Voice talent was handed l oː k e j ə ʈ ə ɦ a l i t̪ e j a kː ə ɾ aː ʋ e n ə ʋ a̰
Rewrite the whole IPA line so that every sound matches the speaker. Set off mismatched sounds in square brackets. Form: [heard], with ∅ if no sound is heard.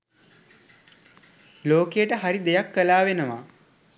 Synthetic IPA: l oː k e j ə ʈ ə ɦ a [ɾ] i [d̪] e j a kː ə [l] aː ʋ e n ə ʋ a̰